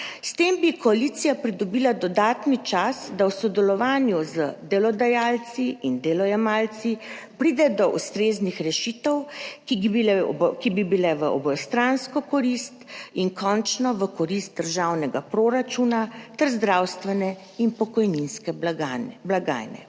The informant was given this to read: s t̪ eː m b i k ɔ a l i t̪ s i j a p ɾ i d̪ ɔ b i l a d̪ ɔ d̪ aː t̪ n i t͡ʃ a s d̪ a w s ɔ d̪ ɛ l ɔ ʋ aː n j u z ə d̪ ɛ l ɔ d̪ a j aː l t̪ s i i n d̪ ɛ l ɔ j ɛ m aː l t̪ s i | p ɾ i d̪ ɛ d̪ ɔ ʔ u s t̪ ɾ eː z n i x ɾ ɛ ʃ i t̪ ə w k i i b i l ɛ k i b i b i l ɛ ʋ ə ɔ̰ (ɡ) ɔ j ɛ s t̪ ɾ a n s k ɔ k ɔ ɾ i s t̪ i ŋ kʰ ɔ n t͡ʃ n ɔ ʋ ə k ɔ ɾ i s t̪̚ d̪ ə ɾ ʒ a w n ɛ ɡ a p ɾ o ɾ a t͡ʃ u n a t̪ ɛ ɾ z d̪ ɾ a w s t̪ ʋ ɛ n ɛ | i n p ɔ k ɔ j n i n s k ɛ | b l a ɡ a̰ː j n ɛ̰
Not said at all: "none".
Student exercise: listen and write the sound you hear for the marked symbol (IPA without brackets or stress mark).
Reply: b